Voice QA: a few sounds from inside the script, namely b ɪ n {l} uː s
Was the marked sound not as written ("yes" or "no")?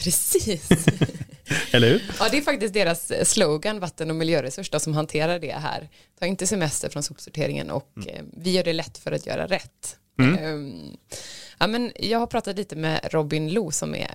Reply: no